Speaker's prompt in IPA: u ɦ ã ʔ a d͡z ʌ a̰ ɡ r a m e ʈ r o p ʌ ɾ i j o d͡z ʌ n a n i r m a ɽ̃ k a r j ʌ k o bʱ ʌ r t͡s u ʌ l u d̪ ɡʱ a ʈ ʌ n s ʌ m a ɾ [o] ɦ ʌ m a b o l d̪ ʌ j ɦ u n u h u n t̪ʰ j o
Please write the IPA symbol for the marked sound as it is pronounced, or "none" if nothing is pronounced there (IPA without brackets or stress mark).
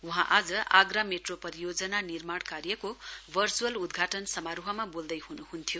u